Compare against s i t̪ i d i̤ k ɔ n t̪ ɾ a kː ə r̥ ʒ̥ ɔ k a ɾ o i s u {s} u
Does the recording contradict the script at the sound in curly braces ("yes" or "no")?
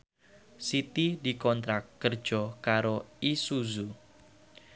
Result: yes